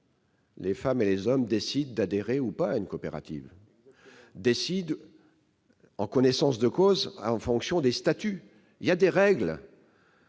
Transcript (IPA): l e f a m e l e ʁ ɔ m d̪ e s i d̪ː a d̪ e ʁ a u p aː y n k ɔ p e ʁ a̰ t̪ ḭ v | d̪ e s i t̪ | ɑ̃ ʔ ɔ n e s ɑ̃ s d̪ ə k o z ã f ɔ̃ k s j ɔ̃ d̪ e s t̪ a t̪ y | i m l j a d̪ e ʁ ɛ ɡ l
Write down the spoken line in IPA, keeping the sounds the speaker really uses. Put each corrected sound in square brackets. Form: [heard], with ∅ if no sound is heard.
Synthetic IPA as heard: l e f a m e l e [z] ɔ m d̪ e s i d̪ː a d̪ e ʁ [e] u p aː y n k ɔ p e ʁ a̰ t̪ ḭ v | d̪ e s i [d̪] | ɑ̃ [k] ɔ n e s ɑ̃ s d̪ ə k o z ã f ɔ̃ k s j ɔ̃ d̪ e s t̪ a t̪ y | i [∅] l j a d̪ e ʁ ɛ ɡ l